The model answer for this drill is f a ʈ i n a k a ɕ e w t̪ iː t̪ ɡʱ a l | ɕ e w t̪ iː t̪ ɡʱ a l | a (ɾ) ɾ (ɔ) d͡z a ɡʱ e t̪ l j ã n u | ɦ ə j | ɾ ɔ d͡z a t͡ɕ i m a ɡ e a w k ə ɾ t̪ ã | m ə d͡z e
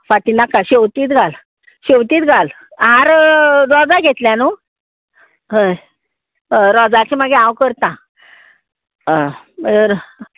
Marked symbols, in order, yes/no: yes, yes

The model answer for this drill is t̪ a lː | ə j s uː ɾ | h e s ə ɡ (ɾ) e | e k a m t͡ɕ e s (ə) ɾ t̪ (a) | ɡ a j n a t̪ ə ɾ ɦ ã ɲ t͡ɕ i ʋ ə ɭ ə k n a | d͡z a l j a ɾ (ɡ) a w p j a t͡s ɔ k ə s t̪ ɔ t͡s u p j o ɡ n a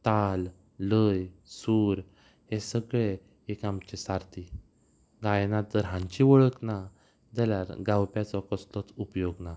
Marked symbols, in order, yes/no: no, no, no, yes

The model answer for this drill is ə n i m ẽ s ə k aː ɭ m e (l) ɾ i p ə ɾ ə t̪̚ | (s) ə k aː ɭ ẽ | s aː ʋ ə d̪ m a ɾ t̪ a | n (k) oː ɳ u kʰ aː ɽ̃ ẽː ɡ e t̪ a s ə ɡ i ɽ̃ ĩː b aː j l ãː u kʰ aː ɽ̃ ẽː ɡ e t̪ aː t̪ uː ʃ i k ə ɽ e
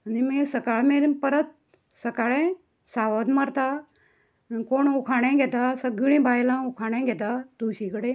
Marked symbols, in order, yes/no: no, yes, yes

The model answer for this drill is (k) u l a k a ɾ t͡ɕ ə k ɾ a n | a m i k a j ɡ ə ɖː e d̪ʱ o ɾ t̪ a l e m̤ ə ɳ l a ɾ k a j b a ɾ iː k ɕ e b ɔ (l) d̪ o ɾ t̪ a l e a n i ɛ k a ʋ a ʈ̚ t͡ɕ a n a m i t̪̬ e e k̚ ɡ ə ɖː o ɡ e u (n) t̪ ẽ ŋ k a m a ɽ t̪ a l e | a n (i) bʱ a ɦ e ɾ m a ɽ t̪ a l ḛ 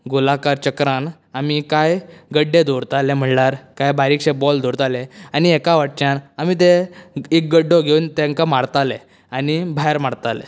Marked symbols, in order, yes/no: no, yes, yes, yes

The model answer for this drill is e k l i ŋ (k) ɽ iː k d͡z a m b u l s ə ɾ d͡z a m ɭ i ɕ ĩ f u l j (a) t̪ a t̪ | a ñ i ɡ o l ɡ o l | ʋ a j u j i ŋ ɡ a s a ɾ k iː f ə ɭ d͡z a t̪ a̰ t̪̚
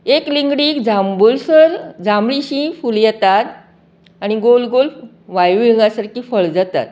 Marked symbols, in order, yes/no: no, no

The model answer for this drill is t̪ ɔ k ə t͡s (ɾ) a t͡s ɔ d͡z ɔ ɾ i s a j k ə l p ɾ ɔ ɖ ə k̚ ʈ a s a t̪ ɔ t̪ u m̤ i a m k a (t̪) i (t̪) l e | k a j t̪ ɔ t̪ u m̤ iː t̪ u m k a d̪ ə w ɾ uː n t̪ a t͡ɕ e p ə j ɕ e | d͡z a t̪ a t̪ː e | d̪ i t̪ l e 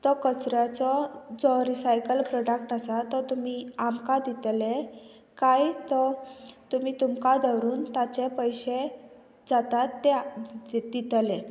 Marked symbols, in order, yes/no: yes, no, yes

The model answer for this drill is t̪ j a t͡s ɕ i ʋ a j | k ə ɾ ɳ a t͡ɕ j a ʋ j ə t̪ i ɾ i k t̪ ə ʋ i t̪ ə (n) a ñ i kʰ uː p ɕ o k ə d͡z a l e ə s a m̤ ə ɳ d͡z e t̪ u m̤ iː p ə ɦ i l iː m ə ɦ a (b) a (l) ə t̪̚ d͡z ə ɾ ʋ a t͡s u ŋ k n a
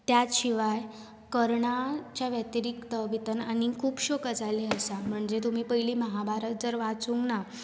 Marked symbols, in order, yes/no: yes, yes, no

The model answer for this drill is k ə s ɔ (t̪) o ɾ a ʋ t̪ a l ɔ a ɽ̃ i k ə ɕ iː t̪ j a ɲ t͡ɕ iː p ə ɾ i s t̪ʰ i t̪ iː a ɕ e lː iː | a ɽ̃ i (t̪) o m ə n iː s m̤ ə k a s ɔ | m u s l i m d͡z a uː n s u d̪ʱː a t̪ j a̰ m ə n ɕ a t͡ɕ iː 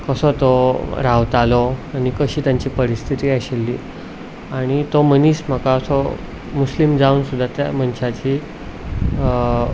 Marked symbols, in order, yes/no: yes, yes

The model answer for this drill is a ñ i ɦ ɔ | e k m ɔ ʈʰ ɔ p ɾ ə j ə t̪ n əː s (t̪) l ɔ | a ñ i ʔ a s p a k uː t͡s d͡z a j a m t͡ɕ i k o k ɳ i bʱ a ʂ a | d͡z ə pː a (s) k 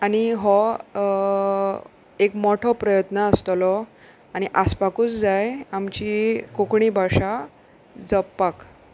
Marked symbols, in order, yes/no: yes, no

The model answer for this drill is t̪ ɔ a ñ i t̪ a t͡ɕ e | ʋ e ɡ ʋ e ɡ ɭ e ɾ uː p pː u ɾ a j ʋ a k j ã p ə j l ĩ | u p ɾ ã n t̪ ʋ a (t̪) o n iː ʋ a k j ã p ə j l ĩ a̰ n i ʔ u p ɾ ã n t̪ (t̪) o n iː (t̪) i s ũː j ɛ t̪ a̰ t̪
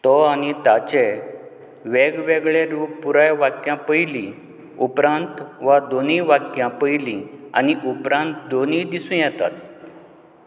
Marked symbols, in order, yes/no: no, no, no

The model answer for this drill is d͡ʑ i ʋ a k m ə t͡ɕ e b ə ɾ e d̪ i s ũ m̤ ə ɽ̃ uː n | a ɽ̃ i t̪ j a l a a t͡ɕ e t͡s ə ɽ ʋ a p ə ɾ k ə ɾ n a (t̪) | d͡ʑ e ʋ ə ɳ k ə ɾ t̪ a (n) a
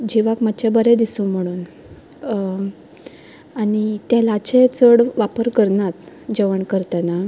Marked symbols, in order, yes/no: yes, yes

